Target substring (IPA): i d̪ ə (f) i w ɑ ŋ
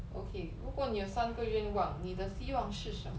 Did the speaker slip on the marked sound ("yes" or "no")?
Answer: yes